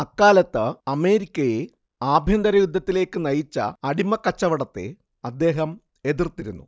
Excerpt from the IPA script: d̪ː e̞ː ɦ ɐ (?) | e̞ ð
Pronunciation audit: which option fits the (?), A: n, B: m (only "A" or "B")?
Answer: B